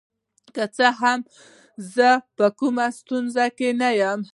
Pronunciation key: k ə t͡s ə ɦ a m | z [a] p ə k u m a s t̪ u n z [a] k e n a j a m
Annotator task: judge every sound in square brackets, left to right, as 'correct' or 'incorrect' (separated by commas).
incorrect, correct